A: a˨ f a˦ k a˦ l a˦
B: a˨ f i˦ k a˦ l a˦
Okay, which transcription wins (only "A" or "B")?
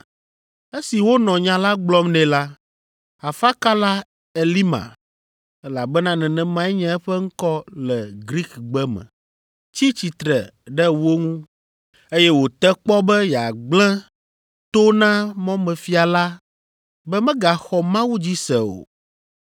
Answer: A